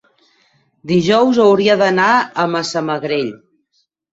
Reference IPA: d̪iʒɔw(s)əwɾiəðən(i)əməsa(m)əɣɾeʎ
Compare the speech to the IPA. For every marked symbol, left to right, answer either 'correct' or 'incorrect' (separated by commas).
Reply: incorrect, incorrect, correct